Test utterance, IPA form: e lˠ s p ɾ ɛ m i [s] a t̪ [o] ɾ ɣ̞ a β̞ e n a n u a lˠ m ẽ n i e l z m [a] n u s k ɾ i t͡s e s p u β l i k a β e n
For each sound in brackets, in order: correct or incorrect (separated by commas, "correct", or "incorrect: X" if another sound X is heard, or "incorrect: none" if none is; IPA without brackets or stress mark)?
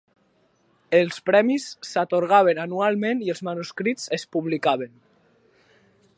incorrect: sː, correct, correct